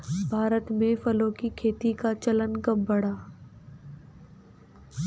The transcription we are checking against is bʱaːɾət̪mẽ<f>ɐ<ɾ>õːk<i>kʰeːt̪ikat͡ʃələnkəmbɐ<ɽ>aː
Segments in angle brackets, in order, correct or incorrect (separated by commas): correct, incorrect, correct, correct